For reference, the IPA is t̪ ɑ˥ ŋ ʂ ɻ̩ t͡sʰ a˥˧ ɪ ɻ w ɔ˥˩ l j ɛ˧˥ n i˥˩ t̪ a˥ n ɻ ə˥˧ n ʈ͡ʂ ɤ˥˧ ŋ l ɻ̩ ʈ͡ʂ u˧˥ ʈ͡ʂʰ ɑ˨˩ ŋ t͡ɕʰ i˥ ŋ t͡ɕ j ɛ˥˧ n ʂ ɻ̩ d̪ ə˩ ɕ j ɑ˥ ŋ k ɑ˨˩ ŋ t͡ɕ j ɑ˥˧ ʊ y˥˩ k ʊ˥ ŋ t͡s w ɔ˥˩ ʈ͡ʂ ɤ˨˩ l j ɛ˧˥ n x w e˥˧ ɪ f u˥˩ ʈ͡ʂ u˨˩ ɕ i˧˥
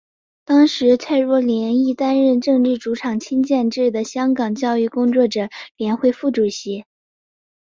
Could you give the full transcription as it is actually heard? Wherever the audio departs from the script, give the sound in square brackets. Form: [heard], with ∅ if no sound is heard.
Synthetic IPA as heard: t̪ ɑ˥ ŋ ʂ ɻ̩ t͡sʰ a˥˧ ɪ ɻ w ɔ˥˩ l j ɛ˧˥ n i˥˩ t̪ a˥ n ɻ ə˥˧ n ʈ͡ʂ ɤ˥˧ ŋ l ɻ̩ ʈ͡ʂ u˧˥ ʈ͡ʂʰ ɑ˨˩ ŋ t͡ɕʰ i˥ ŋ t͡ɕ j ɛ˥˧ n [ʈ͡ʂ] ɻ̩ d̪ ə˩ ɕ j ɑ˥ ŋ k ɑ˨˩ ŋ t͡ɕ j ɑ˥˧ ʊ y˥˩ k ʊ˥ ŋ t͡s w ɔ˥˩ ʈ͡ʂ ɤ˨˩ l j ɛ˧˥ n x w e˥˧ ɪ f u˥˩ ʈ͡ʂ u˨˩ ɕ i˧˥